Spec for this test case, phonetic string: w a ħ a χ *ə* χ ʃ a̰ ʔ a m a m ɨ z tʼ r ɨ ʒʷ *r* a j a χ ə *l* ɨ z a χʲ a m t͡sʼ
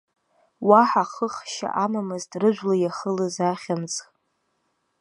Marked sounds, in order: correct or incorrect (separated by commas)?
correct, incorrect, correct